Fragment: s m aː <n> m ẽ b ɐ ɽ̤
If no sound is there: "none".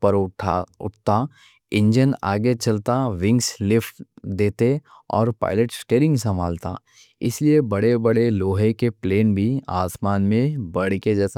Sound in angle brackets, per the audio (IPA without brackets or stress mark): n